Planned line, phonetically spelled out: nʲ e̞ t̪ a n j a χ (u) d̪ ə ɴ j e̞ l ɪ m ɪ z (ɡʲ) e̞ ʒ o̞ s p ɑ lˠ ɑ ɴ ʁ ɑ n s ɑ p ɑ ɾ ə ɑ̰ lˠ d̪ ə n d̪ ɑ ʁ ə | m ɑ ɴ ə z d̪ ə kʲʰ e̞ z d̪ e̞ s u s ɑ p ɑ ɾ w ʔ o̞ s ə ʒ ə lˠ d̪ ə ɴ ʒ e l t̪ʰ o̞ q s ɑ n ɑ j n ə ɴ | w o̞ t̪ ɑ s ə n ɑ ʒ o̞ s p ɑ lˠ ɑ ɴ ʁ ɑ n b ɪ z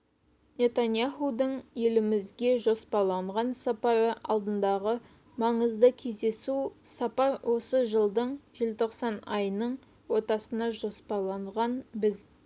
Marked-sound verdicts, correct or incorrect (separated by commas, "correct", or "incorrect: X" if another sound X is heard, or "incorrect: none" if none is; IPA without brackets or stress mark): correct, correct